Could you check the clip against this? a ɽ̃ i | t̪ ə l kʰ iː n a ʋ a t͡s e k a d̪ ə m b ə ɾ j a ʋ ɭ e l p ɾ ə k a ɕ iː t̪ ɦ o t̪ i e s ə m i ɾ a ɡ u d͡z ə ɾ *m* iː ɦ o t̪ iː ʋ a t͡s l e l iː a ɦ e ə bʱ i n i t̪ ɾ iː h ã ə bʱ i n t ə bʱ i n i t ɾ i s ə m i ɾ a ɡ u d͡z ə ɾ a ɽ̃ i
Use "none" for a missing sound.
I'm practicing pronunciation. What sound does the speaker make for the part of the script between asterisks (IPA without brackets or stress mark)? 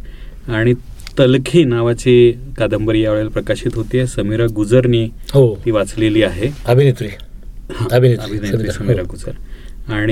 n